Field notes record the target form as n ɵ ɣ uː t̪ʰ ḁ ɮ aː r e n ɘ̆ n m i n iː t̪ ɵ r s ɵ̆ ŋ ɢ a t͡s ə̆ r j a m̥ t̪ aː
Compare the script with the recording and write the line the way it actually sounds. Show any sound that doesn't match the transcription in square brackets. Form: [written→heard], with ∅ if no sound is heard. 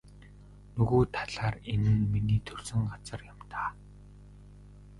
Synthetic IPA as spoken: n ɵ ɣ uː t̪ʰ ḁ ɮ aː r e n ɘ̆ n m i n iː [t̪→t̪ʰ] ɵ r s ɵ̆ ŋ ɢ a t͡s ə̆ r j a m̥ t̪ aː